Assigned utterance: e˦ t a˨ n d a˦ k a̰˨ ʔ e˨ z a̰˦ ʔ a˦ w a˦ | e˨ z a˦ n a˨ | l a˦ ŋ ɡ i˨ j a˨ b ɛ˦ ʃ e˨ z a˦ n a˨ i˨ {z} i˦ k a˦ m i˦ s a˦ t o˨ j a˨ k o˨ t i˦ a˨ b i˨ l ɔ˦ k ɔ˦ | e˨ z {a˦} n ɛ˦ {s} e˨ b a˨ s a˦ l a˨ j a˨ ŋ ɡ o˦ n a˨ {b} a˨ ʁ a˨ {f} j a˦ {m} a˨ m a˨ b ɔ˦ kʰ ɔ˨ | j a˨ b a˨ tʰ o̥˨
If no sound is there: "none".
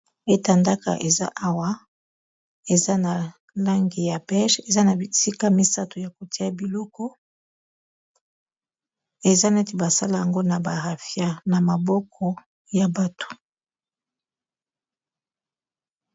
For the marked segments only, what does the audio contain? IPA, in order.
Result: s, a˦, t, b, f, n

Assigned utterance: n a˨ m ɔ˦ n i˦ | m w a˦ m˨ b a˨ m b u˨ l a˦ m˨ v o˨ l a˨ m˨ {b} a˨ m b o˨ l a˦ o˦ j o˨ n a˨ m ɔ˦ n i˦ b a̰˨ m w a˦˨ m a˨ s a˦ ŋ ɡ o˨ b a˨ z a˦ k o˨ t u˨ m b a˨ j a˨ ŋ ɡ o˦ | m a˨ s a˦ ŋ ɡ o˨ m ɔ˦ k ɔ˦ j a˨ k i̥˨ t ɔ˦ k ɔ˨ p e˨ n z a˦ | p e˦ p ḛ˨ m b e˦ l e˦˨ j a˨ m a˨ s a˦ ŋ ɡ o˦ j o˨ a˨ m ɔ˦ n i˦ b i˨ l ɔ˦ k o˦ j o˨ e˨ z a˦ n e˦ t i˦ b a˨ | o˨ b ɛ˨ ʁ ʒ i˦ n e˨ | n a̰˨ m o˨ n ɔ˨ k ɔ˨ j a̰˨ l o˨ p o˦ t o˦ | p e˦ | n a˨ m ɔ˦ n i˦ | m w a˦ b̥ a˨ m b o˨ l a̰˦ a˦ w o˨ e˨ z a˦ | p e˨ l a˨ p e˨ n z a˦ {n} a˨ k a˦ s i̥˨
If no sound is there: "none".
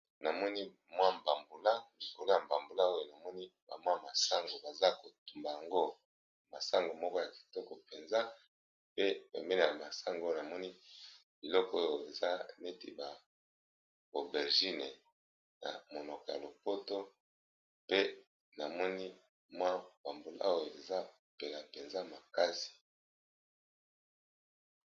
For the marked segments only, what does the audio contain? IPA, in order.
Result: b, m

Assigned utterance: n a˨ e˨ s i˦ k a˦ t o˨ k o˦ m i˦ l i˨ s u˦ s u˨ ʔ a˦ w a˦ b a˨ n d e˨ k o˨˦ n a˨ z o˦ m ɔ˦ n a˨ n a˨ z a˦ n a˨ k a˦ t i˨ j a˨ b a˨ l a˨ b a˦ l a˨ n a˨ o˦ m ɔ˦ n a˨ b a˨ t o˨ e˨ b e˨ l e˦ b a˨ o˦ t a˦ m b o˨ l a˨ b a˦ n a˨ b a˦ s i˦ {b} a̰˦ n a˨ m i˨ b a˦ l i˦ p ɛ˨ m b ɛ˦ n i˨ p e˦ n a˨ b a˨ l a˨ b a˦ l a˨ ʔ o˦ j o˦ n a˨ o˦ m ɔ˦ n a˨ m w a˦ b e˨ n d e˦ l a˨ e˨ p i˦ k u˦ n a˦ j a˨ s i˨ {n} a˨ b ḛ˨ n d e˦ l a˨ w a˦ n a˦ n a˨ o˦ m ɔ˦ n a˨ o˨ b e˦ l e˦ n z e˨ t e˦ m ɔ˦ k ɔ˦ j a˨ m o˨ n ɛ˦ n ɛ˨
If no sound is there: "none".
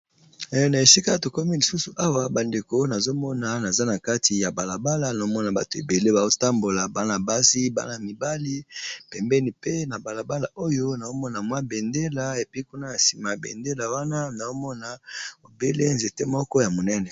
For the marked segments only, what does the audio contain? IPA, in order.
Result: b, m

